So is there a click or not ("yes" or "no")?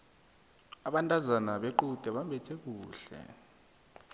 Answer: yes